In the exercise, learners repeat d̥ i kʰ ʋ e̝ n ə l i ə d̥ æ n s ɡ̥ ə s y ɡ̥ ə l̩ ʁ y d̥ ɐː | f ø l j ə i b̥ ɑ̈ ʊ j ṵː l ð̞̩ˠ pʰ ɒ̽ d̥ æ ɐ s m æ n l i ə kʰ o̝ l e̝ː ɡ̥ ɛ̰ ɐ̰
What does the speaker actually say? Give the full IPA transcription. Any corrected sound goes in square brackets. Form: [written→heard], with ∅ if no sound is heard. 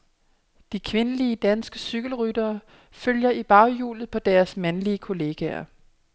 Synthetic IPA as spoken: d̥ i kʰ ʋ e̝ n ə l i ə d̥ æ n s ɡ̥ ə s y ɡ̥ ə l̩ ʁ y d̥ ɐː | f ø l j [ə→ɐ] i b̥ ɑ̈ ʊ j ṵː l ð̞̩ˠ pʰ ɒ̽ d̥ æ ɐ s m æ n l i ə kʰ o̝ l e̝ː ɡ̥ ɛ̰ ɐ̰